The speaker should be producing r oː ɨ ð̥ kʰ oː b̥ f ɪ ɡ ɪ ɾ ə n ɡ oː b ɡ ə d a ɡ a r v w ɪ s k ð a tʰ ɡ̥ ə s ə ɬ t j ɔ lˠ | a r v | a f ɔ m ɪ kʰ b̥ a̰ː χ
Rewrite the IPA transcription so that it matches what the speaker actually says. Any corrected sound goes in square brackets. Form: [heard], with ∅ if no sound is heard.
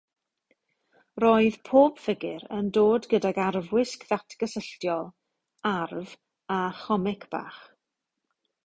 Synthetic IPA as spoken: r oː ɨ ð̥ [pʰ] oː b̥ f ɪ ɡ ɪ ɾ ə n [d] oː [d] ɡ ə d a ɡ a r v w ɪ s k ð a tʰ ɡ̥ ə s ə ɬ t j ɔ lˠ | a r v | a [χ] ɔ m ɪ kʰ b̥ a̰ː χ